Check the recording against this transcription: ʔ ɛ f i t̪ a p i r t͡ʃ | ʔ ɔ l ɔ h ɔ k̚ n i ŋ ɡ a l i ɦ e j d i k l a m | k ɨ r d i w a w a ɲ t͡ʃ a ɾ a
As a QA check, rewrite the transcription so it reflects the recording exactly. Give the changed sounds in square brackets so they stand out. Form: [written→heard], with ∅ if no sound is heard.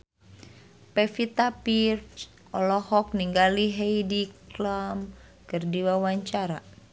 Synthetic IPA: [ʔ→p] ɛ f i t̪ a p i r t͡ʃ | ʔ ɔ l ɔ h ɔ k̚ n i ŋ ɡ a l i ɦ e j d i k l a m | k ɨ r d i w a w a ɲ t͡ʃ a ɾ a